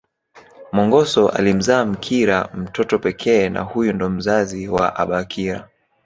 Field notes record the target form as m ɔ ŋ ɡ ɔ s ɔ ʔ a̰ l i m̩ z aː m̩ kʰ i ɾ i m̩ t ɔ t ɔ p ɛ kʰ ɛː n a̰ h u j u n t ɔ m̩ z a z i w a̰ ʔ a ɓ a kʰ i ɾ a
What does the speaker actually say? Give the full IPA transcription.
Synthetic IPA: m ɔ ŋ ɡ ɔ s ɔ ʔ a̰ l i m̩ z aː m̩ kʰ i ɾ a m̩ t ɔ t ɔ p ɛ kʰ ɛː n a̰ h u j u n d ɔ m̩ z a z i w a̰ ʔ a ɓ a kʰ i ɾ a

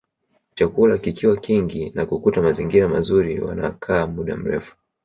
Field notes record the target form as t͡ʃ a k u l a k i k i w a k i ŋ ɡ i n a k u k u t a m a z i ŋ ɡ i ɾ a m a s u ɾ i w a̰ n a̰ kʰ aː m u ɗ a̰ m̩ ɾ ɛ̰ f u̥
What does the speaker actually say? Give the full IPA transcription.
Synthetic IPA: t͡ʃ a k u l a k i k i w a k i ŋ ɡ i n a k u k u t a m a z i ŋ ɡ i ɾ a m a z u ɾ i w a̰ n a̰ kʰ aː m u ɗ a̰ m̩ ɾ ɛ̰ f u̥

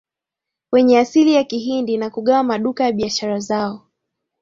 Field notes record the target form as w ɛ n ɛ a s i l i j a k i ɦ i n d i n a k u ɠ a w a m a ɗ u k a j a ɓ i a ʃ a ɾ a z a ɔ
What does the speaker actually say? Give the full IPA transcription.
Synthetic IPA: w ɛ ɲ ɛ a s i l i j a k i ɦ i n d i n a k u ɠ a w a m a ɗ u k a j a ɓ i a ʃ a ɾ a z a ɔ

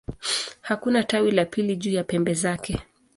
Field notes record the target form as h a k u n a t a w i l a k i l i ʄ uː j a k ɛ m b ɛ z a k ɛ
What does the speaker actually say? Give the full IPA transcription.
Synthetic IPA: h a k u n a t a w i l a p i l i ʄ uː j a p ɛ m b ɛ z a k ɛ

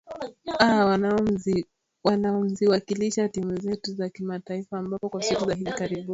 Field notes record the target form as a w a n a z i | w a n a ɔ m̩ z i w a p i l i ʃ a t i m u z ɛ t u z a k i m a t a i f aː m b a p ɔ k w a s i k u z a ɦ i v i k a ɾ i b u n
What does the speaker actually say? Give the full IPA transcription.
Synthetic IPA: a w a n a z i | w a n a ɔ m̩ z i w a k i l i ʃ a t i m u z ɛ t u z a k i m a t a i f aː m b a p ɔ k w a s i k u z a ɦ i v i k a ɾ i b u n

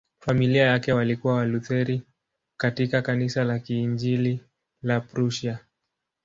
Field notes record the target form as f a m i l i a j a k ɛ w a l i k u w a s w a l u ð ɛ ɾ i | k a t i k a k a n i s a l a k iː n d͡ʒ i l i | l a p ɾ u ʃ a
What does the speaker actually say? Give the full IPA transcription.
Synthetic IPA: f a m i l i a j a k ɛ w a l i k u w a w a l u θ ɛ ɾ i | k a t i k a k a n i s a l a k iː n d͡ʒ i l i | l a p ɾ u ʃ a

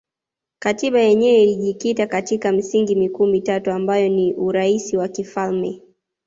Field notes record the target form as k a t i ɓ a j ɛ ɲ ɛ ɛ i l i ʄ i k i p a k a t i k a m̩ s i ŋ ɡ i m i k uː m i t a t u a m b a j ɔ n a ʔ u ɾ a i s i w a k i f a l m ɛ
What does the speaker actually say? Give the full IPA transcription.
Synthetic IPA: k a t i ɓ a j ɛ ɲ ɛ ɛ i l i ʄ i k i t a k a t i k a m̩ s i ŋ ɡ i m i k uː m i t a t u a m b a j ɔ n i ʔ u ɾ a i s i w a k i f a l m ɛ

